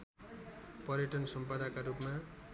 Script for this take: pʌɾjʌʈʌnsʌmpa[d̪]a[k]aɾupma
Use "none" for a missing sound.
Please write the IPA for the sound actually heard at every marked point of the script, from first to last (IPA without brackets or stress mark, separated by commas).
d̪, k